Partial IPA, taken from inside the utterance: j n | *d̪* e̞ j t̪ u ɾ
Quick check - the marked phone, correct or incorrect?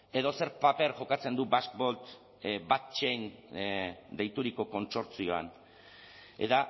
correct